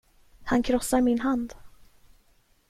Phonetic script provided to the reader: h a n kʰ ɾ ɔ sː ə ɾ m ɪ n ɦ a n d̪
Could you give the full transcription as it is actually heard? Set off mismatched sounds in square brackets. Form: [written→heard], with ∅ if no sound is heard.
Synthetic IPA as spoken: h a n kʰ ɾ ɔ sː [ə→a] ɾ m ɪ n ɦ a n d̪